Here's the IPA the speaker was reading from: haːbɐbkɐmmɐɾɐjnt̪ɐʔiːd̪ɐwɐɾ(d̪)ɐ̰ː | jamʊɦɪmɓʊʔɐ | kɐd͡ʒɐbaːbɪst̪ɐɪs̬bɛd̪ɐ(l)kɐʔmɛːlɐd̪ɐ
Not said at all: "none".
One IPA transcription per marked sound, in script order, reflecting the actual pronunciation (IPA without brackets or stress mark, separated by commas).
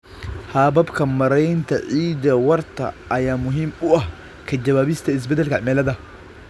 t̪, l